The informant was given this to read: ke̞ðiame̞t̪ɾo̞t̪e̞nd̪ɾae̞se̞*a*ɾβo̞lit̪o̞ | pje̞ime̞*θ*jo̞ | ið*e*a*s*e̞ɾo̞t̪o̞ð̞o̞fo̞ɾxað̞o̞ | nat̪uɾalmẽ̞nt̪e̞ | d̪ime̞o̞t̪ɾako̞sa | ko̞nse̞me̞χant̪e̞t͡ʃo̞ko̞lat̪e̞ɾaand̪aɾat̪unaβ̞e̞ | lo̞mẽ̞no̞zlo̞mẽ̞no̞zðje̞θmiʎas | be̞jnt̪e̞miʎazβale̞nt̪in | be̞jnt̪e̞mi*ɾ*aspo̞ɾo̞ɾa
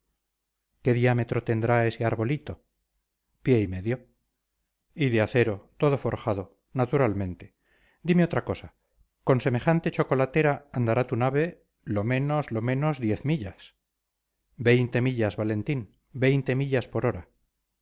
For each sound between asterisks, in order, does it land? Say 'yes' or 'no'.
yes, no, yes, no, no

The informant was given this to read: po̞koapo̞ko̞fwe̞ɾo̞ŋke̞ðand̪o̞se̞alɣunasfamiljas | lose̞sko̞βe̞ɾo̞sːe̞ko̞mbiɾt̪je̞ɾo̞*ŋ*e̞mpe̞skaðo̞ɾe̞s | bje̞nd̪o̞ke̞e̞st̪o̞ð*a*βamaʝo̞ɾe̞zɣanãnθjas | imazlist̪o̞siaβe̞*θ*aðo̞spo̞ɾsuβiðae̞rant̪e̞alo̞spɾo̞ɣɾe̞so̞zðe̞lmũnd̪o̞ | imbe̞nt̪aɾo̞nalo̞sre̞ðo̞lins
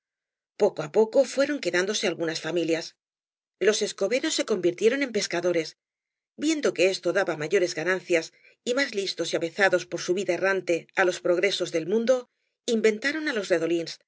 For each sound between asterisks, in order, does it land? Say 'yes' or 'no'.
no, yes, yes

